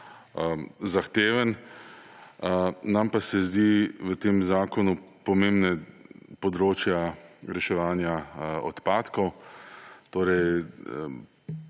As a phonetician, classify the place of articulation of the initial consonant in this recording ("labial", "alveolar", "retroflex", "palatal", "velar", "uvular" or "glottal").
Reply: alveolar